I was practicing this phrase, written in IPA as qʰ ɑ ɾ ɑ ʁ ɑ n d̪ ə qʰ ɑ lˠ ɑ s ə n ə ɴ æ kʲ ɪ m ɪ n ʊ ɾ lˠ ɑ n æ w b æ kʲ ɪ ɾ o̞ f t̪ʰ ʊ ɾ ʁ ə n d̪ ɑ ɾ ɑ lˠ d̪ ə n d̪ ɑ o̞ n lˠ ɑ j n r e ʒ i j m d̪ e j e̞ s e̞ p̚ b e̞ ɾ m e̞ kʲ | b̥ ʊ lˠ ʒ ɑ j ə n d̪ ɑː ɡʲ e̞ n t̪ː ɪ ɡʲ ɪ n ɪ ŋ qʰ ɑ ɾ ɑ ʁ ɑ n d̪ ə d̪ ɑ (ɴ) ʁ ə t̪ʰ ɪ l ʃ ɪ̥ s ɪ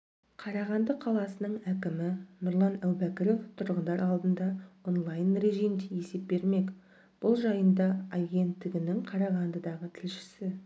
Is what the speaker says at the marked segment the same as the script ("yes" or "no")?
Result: no